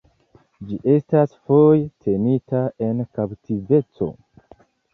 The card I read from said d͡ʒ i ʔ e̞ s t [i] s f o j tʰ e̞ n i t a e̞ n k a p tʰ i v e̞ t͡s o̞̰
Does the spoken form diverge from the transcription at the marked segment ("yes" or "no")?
yes